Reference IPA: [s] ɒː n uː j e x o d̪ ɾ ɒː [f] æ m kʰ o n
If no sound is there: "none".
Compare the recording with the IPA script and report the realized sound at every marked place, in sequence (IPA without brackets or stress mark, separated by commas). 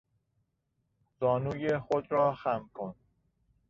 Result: z, x